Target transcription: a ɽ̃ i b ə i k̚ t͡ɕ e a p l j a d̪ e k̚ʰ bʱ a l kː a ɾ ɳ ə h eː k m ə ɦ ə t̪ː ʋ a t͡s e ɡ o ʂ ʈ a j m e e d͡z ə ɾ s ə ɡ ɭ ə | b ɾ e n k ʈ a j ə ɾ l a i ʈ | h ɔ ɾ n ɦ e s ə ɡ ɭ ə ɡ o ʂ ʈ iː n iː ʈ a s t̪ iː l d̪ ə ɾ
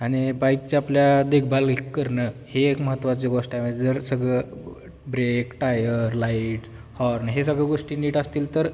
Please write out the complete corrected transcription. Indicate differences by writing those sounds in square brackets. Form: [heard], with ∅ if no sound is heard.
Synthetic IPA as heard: a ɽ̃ i b [a] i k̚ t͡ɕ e a p l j a d̪ e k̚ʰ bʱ a l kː [ə] ɾ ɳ ə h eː k m ə ɦ ə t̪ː ʋ a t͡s e ɡ o ʂ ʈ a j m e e d͡z ə ɾ s ə ɡ ɭ ə | b ɾ e [∅] k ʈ a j ə ɾ l a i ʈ | h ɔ ɾ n ɦ e s ə ɡ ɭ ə ɡ o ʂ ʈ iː n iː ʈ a s t̪ iː l [t̪] ə ɾ

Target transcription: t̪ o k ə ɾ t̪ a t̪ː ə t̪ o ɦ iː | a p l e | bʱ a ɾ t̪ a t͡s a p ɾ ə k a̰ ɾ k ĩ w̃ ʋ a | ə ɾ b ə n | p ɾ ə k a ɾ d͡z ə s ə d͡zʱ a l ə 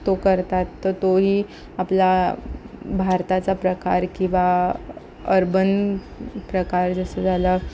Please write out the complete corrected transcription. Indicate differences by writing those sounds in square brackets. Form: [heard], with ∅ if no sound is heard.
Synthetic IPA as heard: t̪ o k ə ɾ t̪ a t̪ː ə t̪ o ɦ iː | a p l [a] | bʱ a ɾ t̪ a t͡s a p ɾ ə k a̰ ɾ k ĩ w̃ ʋ a | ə ɾ b ə n | p ɾ ə k a ɾ d͡z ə s ə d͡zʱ a l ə

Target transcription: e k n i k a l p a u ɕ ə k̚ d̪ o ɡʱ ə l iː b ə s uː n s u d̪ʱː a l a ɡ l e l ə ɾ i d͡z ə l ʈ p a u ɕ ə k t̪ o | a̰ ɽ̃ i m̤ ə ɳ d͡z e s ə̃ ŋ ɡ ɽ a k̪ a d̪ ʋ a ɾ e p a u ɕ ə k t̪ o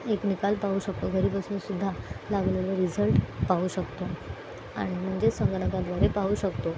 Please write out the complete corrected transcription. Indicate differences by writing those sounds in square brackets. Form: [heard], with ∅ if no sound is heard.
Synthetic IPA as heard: e k n i k a l p a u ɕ ə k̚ [t̪] o ɡʱ ə [ɾ] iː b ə s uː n s u d̪ʱː a l a ɡ l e l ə ɾ i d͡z ə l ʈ p a u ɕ ə k t̪ o | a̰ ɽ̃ i m̤ ə ɳ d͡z e s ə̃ ŋ ɡ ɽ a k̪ a d̪ ʋ a ɾ e p a u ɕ ə k t̪ o

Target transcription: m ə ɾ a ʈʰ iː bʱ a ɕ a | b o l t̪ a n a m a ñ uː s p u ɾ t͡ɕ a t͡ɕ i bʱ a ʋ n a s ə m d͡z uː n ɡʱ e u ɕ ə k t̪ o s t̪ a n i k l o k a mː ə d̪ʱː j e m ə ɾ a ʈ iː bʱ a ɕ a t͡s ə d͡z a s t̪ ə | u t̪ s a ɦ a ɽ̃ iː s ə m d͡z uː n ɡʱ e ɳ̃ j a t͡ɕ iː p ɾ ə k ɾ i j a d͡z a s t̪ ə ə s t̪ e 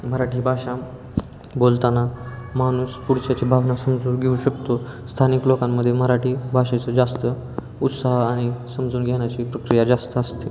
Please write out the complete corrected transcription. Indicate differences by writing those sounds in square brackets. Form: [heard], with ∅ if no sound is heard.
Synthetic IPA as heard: m ə ɾ a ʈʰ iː bʱ a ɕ a | b o l t̪ a n a m a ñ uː s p u [ɽ] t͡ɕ a t͡ɕ i bʱ a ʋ n a s ə m d͡z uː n ɡʱ e u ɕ ə k t̪ o s [t̪ʰ] a n i k l o k a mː ə d̪ʱː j e m ə ɾ a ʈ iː bʱ a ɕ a t͡s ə d͡z a s t̪ ə | u t̪ s a ɦ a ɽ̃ [i] s ə m d͡z uː n ɡʱ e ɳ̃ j a t͡ɕ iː p ɾ ə k ɾ i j a d͡z a s t̪ ə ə s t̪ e

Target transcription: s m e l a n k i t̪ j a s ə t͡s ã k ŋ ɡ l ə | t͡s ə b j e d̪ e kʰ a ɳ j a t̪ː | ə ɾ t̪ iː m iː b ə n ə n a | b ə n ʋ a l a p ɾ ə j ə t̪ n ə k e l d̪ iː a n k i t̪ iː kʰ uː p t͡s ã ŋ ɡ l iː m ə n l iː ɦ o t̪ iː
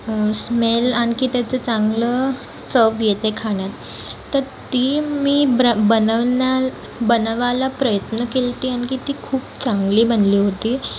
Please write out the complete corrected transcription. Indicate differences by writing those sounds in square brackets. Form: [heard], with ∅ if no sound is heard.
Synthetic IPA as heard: s m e l a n k i t̪ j a [t͡s] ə t͡s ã [∅] ŋ ɡ l ə | t͡s ə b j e [t̪] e kʰ a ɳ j a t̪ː | ə ɾ t̪ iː m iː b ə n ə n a | b ə n ʋ a l a p ɾ ə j ə t̪ n ə k e l [t̪] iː a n k i t̪ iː kʰ uː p t͡s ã ŋ ɡ l iː [b] ə n l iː ɦ o t̪ iː

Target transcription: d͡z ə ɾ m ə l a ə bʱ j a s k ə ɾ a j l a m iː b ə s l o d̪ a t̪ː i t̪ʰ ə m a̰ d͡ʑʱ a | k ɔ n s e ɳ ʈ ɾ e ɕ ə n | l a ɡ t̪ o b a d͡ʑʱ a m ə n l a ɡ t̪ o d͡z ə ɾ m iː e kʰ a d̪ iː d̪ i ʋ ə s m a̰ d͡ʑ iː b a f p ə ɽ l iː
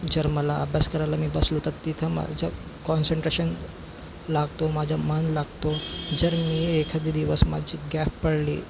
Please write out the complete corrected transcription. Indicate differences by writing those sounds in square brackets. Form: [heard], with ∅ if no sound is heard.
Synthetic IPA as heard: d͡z ə ɾ m ə l a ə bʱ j a s k ə ɾ a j l a m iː b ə s l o [t̪] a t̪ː i t̪ʰ ə m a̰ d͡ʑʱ a | k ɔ n s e ɳ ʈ ɾ e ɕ ə n | l a ɡ t̪ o [m] a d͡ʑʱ a m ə n l a ɡ t̪ o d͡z ə ɾ m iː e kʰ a d̪ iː d̪ i ʋ ə s m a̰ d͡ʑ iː [ɡ] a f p ə ɽ l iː

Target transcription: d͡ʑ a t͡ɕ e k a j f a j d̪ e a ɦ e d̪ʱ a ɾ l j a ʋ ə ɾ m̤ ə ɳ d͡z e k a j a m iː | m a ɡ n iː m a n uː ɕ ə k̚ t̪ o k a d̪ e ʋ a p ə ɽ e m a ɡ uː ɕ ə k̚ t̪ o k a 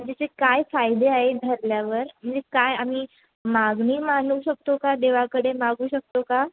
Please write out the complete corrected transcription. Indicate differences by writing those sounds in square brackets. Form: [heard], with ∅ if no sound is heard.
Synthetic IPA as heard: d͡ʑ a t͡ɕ e k a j f a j d̪ e a ɦ e d̪ʱ [ə] ɾ l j a ʋ ə ɾ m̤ ə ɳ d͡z e k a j a m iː | m a ɡ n iː m a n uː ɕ ə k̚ t̪ o k a d̪ e ʋ a [k] ə ɽ e m a ɡ uː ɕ ə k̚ t̪ o k a

